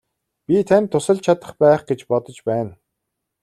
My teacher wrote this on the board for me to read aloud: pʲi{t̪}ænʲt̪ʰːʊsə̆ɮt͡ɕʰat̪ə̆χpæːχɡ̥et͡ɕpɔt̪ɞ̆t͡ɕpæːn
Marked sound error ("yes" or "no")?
yes